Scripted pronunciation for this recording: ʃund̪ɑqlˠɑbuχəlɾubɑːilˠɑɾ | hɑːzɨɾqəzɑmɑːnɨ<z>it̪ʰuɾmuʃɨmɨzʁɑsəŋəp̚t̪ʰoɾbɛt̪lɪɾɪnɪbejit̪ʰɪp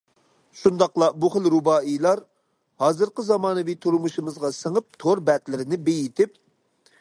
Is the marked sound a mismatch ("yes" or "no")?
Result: yes